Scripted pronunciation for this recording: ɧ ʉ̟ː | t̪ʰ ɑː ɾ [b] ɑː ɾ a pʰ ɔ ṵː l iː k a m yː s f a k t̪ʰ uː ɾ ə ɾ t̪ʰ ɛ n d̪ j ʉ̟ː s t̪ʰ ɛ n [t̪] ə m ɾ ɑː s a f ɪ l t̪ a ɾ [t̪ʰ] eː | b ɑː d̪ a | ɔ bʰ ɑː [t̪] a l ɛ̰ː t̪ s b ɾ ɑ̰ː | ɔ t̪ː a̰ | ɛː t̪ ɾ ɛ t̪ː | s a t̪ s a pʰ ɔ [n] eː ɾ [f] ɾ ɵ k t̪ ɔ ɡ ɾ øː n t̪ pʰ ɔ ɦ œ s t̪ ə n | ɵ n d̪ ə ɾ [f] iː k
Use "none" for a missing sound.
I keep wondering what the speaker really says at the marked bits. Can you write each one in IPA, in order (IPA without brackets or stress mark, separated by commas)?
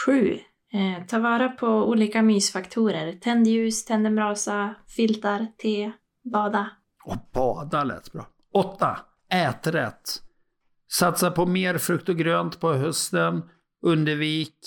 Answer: v, d̪, t̪ʰ, d̪, m, f, v